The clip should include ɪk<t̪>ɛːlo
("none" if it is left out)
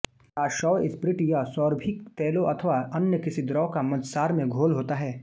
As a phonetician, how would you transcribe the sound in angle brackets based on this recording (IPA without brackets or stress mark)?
t̪